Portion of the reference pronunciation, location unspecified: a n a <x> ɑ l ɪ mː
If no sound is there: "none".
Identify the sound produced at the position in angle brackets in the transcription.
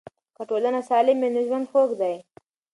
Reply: s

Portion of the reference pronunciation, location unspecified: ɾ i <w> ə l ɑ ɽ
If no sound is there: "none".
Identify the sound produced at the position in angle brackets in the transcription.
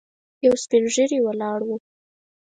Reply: w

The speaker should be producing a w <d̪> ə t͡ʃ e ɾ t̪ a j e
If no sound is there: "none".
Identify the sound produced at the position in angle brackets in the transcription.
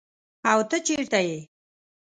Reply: t̪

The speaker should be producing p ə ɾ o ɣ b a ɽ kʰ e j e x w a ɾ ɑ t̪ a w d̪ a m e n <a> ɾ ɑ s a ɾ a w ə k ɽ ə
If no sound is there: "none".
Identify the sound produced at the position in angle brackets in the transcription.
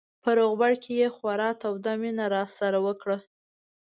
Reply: a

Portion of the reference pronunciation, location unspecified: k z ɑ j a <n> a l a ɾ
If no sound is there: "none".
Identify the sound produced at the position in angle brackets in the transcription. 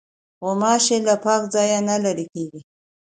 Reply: n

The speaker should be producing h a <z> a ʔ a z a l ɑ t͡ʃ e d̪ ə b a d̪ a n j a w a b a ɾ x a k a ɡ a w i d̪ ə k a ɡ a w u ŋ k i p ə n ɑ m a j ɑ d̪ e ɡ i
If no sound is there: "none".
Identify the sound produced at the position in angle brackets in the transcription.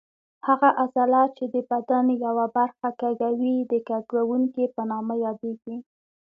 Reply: ɣ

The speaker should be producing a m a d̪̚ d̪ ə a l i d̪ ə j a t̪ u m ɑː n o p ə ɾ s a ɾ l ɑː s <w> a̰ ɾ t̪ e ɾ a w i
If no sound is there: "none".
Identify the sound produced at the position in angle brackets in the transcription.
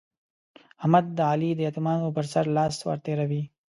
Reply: w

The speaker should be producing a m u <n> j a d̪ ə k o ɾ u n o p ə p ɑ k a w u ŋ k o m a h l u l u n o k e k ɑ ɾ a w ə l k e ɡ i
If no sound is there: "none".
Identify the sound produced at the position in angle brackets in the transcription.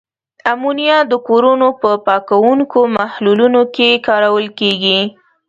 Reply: n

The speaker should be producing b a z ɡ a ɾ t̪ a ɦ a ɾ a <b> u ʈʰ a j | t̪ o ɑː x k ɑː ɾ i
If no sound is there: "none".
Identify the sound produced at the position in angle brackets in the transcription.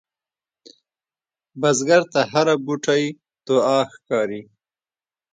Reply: b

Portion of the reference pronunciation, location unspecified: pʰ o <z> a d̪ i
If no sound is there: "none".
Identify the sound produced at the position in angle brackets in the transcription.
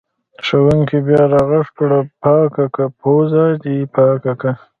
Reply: z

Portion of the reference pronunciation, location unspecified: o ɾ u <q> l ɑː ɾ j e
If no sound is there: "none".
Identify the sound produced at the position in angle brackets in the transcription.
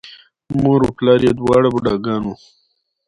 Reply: p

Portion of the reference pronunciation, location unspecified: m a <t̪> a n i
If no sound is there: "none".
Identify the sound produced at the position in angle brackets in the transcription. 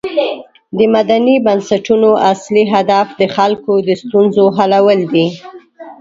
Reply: d̪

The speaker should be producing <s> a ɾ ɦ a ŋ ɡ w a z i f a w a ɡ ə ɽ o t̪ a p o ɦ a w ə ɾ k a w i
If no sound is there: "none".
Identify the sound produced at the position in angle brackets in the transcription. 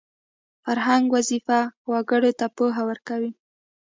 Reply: f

